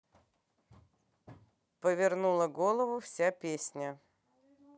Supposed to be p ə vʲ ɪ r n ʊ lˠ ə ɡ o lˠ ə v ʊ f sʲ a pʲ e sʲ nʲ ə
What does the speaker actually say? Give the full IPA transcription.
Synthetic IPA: p ə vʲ ɪ r n u lˠ ə ɡ o lˠ ə v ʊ f sʲ a pʲ e sʲ nʲ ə

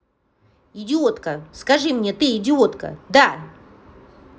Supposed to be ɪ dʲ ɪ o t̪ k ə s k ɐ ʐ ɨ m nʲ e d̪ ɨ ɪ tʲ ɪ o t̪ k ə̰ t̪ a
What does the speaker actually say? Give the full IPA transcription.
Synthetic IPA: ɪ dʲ ɪ o t̪ k ə s k ɐ ʐ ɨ m nʲ e t̪ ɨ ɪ dʲ ɪ o t̪ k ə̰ d̪ a

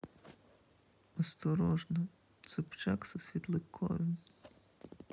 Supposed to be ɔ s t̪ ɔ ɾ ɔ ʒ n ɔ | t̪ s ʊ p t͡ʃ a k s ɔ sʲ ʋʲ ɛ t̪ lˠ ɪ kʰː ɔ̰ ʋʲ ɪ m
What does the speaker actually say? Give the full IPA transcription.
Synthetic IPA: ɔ s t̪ ɔ ɾ ɔ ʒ n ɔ | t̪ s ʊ p t͡ʃ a k s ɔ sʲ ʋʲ i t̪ lˠ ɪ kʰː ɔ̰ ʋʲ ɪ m

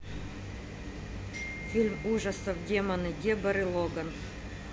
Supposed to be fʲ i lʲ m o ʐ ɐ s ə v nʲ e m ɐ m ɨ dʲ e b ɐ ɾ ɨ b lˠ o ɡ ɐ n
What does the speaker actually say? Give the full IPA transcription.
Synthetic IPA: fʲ i lʲ m u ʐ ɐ s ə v dʲ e m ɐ n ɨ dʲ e b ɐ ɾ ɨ lˠ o ɡ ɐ n

